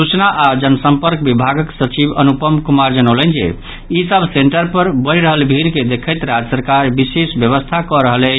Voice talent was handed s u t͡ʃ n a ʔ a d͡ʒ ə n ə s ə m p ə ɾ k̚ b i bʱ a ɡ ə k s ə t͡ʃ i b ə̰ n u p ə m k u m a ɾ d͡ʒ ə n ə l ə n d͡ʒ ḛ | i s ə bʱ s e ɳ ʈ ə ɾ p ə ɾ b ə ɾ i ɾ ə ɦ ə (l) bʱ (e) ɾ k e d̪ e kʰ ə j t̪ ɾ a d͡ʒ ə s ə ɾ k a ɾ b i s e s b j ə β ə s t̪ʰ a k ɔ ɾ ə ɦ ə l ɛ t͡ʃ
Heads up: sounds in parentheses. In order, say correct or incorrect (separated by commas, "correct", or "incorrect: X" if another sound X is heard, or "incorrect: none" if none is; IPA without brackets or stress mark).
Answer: correct, incorrect: i